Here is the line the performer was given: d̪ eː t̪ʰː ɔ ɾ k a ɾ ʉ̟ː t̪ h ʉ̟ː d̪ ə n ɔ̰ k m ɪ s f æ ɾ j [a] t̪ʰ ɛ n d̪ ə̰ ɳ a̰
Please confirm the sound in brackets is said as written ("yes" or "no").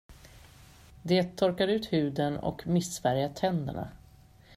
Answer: yes